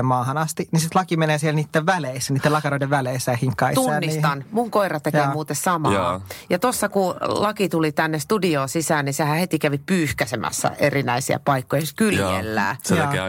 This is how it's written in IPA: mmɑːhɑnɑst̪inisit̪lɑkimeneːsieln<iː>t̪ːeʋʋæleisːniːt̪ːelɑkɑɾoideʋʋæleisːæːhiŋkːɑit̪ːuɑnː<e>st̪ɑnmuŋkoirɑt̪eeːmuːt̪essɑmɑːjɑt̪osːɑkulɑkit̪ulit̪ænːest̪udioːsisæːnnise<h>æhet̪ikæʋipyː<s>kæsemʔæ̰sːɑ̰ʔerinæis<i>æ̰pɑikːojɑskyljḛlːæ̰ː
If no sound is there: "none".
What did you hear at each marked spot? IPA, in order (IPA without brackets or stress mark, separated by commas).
iː, i, h, h, i